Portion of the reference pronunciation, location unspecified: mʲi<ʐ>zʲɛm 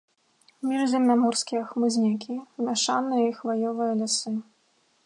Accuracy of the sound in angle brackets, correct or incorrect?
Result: correct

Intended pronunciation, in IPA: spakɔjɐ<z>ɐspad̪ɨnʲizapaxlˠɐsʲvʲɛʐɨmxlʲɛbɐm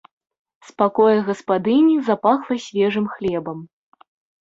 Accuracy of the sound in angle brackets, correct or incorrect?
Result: incorrect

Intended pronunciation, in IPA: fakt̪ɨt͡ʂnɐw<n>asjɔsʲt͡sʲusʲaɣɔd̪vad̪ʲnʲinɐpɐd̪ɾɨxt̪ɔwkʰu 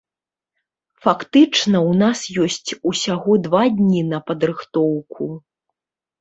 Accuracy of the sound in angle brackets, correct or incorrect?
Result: correct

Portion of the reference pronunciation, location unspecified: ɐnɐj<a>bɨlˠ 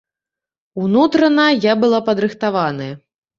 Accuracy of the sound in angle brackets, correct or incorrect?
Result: correct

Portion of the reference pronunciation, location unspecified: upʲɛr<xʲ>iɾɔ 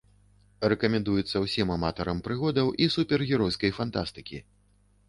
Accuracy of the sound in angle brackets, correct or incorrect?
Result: incorrect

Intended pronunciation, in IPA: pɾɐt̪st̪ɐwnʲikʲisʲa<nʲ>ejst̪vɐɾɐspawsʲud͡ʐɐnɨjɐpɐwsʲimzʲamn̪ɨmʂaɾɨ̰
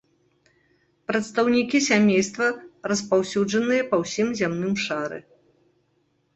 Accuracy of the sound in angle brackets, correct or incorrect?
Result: incorrect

